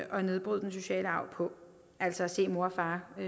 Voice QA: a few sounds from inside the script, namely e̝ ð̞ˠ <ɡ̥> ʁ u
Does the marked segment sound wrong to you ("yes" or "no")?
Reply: yes